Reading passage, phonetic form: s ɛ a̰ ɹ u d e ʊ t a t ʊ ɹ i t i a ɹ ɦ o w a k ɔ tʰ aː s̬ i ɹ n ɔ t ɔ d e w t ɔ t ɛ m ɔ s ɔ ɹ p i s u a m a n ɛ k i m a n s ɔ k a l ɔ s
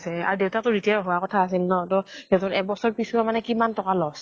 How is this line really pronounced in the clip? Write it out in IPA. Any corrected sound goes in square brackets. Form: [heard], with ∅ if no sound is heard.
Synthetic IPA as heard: s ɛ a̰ ɹ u d e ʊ t a t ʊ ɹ i t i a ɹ ɦ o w a k ɔ tʰ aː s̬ i [l] n ɔ t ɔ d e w t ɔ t ɛ [b] ɔ s ɔ ɹ p i s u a m a n ɛ k i m a n [t] ɔ k a l ɔ s